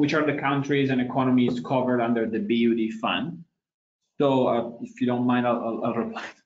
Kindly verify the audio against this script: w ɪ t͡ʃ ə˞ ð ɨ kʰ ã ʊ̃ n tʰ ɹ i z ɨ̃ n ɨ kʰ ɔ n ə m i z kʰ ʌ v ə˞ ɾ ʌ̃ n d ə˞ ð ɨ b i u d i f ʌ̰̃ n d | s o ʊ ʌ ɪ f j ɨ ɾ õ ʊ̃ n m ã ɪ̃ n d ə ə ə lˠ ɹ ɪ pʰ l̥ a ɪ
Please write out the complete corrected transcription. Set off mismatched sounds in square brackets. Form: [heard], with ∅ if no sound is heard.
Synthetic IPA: w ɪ t͡ʃ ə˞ ð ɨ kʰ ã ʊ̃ n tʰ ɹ i z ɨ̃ n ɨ kʰ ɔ n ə m i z kʰ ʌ v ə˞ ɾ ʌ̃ n d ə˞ ð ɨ b i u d i f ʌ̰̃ n d | s o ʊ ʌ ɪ f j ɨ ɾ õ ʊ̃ n m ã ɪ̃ n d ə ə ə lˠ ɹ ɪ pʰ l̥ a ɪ